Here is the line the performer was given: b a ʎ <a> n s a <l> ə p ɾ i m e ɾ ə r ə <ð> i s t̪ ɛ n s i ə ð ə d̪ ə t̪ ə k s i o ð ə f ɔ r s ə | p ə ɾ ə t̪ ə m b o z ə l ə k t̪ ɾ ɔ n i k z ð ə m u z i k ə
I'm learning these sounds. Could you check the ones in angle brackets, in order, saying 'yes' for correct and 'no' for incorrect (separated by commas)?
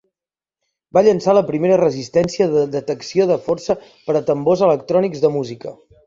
no, yes, no